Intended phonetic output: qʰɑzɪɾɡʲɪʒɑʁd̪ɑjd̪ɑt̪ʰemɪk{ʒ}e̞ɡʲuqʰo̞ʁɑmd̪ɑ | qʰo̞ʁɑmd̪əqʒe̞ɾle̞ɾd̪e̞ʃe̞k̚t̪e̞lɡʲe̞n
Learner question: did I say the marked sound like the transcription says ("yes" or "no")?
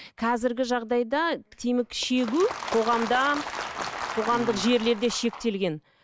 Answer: no